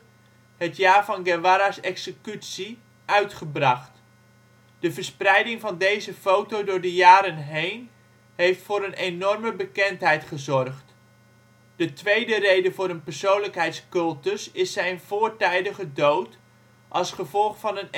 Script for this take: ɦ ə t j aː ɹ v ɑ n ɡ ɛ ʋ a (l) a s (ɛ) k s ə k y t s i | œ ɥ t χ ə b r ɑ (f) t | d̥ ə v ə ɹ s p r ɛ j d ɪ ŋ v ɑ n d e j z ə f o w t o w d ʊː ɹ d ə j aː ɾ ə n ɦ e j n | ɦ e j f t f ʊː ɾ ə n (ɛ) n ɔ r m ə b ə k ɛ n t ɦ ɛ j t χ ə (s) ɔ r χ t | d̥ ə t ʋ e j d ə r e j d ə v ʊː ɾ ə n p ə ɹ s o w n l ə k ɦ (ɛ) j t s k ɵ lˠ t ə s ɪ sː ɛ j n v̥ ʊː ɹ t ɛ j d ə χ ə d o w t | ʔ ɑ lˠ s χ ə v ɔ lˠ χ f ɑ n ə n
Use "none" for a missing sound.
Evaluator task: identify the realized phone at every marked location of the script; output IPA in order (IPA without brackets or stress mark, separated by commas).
ɾ, ɛ, χ, e, z, ɛ